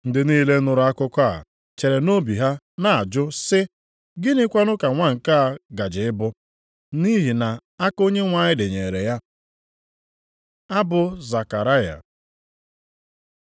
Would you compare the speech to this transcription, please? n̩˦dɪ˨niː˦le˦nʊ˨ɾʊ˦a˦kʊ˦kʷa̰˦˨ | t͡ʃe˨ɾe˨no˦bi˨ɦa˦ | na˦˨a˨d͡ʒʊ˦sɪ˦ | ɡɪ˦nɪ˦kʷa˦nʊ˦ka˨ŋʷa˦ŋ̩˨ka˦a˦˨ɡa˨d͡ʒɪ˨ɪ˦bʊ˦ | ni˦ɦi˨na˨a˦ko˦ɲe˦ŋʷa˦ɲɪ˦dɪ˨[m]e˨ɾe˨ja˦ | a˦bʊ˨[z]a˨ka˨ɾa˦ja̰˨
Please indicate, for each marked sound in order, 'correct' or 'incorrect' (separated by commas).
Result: incorrect, correct